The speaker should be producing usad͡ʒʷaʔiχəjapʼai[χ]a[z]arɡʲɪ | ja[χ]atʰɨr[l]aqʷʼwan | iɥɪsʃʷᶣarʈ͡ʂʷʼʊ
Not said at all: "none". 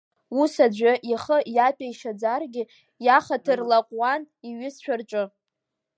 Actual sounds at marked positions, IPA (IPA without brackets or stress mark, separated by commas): ʃ, d͡z, χ, l